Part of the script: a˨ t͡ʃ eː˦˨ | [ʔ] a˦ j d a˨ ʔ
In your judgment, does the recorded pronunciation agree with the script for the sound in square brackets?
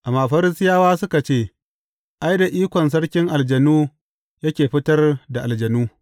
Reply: yes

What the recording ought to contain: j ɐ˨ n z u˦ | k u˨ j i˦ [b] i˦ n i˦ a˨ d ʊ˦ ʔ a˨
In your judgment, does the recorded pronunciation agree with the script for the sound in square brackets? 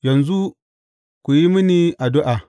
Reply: no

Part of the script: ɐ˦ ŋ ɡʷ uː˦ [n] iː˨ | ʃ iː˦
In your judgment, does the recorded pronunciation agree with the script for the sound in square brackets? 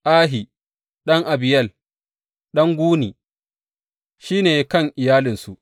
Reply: yes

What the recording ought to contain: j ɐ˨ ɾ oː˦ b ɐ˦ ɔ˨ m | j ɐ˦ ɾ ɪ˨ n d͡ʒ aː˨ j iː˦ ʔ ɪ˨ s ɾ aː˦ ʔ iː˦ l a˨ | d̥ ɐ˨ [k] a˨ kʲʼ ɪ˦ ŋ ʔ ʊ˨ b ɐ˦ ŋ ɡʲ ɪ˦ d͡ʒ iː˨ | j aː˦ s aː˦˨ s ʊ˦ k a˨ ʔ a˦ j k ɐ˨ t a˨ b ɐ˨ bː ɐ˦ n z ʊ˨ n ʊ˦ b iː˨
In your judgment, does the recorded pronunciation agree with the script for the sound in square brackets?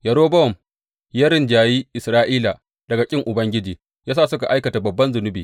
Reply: no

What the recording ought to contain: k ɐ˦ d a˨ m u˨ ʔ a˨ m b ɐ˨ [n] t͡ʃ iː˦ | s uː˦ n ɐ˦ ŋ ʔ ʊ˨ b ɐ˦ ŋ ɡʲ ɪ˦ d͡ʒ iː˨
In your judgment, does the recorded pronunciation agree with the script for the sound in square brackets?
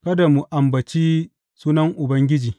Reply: no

